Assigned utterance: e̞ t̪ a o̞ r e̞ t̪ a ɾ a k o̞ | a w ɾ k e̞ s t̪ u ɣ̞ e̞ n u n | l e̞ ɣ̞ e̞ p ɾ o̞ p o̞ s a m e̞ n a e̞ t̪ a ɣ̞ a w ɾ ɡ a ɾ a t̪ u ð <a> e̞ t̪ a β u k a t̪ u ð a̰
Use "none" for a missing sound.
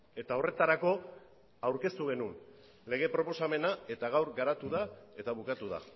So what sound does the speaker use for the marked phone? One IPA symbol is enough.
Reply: a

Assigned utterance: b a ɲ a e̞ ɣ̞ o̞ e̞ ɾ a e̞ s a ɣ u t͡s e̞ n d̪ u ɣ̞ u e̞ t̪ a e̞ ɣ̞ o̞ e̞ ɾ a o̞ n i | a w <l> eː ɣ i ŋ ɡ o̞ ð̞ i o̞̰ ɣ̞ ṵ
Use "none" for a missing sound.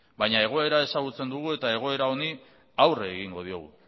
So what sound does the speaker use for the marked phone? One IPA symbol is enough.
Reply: r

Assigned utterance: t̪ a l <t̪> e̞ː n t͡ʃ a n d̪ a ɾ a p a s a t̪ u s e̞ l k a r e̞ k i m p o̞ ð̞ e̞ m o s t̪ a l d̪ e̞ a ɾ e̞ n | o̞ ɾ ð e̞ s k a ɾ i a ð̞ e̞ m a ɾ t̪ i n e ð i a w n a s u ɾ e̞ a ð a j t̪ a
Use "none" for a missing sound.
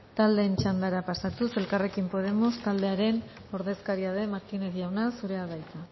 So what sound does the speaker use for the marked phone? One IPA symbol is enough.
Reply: d̪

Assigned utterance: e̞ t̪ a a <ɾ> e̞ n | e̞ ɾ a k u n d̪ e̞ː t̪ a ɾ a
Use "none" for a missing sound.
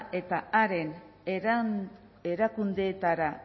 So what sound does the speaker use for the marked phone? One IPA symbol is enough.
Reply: ɾ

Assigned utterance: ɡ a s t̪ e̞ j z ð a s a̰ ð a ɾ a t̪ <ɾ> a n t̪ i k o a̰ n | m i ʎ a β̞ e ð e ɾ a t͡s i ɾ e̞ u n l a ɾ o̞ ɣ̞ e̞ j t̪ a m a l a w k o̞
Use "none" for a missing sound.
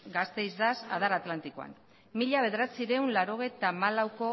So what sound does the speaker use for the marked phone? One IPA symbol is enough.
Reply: l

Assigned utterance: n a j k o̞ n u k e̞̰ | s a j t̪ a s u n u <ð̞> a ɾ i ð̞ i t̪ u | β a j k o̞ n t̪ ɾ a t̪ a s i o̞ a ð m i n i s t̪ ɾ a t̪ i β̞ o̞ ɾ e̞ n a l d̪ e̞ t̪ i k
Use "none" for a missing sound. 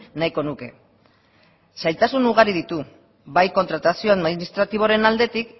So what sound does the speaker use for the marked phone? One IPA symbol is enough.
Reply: ɣ̞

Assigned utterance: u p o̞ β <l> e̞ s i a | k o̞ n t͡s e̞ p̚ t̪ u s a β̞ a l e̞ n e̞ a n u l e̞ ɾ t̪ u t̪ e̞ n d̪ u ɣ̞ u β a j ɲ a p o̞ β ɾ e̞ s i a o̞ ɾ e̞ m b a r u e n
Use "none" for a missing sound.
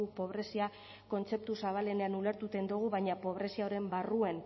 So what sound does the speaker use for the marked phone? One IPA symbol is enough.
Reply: ɾ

